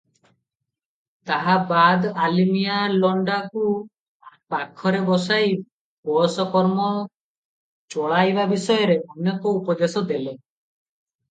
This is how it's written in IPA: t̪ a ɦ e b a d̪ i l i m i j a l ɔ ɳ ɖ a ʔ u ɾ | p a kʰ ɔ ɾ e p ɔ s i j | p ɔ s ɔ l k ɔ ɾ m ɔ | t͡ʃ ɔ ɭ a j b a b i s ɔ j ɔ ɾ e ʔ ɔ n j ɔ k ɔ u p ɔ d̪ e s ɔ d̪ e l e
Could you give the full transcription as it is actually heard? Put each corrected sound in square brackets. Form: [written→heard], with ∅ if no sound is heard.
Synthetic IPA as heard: t̪ a ɦ [e→a] b a d̪ [i→a] l i m i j a l ɔ ɳ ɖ a [ʔ→k] u [ɾ→∅] | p a kʰ ɔ ɾ e [p→b] ɔ s [i→a] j | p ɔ s ɔ [l→∅] k ɔ ɾ m ɔ | t͡ʃ ɔ ɭ a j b a b i s ɔ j ɔ ɾ e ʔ ɔ n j ɔ k ɔ u p ɔ d̪ e s ɔ d̪ e l e